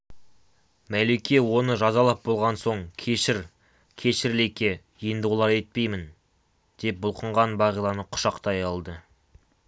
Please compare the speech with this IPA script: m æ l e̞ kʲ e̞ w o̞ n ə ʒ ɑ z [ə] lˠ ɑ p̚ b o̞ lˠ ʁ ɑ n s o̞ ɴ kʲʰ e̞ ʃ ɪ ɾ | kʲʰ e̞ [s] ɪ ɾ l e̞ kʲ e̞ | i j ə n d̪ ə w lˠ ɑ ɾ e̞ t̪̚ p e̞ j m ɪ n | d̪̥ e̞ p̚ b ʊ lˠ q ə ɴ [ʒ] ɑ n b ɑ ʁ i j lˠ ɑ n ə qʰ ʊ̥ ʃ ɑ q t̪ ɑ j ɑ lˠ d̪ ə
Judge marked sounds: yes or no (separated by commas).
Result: no, no, no